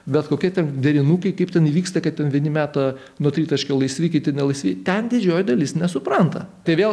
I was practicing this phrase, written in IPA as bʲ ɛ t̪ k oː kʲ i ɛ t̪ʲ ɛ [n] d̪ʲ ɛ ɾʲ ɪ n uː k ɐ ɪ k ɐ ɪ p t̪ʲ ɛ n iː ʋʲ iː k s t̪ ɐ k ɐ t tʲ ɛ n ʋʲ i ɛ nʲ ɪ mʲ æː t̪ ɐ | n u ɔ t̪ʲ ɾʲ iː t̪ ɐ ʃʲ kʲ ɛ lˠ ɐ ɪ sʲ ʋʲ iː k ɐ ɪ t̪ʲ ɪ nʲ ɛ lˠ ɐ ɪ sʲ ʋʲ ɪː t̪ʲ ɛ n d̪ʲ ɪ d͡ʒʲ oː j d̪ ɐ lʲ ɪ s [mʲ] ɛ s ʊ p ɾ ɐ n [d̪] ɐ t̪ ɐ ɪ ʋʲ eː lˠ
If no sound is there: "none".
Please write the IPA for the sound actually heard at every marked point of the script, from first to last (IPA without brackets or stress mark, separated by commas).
n, nʲ, t̪